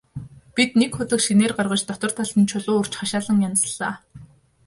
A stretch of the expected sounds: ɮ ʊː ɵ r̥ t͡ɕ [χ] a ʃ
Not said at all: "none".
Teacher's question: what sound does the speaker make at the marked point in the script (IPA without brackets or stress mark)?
χ